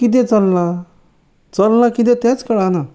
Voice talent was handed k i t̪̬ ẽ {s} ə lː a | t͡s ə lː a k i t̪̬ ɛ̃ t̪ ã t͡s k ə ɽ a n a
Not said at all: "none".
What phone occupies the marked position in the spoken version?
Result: t͡s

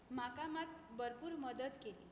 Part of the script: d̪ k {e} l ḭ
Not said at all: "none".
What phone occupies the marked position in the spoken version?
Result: e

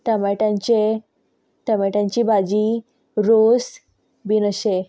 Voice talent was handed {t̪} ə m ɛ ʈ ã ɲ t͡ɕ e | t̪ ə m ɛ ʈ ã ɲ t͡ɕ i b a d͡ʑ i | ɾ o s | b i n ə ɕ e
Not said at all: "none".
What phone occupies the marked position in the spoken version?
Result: t̪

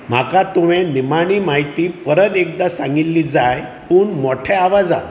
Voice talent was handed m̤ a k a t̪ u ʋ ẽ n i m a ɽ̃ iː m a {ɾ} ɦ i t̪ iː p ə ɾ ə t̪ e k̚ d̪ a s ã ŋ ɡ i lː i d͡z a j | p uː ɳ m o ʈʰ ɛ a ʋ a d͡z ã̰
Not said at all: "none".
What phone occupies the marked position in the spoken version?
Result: none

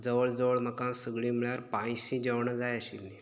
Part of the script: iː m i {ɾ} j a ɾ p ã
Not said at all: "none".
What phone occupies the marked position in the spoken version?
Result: ɭ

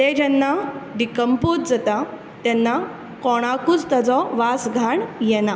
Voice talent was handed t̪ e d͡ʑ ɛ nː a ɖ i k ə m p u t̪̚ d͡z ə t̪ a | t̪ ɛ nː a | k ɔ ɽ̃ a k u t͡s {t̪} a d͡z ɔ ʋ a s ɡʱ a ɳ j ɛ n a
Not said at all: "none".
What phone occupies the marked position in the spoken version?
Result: t̪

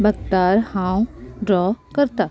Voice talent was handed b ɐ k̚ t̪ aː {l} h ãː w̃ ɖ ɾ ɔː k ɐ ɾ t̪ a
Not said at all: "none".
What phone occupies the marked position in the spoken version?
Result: ɾ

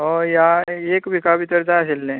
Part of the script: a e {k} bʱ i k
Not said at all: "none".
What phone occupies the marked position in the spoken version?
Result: k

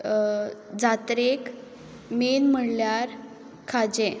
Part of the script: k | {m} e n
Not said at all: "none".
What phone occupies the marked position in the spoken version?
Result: m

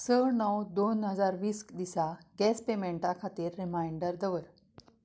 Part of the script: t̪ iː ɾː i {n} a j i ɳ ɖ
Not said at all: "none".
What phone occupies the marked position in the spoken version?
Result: m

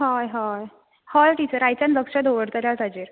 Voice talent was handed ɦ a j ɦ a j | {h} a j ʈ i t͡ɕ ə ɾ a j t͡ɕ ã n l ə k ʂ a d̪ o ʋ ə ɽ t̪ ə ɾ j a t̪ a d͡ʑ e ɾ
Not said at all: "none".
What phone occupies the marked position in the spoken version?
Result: h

